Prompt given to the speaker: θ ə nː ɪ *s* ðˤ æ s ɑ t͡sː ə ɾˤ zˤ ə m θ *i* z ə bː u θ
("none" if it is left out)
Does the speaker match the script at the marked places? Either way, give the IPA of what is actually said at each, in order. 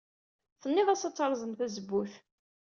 none, æ

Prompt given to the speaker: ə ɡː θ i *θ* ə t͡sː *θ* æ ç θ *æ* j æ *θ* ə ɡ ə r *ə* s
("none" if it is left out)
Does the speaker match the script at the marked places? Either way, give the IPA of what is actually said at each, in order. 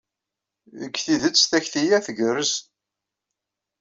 ð, θ, i, θ, ə

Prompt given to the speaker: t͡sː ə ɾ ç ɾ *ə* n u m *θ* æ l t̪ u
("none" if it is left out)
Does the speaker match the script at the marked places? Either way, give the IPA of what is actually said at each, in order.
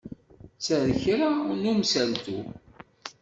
a, s

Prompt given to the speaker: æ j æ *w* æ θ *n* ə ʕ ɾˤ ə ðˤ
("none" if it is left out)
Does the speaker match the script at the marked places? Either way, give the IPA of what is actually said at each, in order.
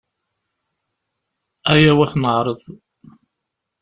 w, n

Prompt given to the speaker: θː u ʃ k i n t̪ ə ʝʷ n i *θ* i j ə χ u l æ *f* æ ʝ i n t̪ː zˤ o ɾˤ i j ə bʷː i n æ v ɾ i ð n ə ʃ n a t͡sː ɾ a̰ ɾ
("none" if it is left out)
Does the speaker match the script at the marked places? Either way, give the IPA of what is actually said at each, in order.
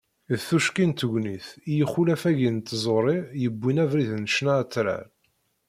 θ, f

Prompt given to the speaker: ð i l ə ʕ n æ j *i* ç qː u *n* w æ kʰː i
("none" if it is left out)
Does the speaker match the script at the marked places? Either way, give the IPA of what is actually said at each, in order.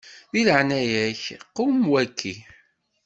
æ, m

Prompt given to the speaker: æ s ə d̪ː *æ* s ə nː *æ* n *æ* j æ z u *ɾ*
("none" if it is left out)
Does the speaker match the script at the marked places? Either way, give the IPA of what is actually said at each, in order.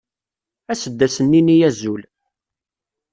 æ, i, i, l

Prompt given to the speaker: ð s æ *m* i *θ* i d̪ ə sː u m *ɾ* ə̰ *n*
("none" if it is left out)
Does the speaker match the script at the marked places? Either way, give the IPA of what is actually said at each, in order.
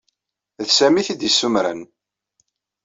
m, θ, ɾ, n

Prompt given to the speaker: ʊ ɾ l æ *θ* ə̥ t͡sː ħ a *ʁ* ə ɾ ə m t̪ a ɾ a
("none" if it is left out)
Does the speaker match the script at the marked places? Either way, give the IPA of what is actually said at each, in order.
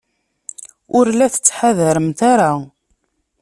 θ, ð

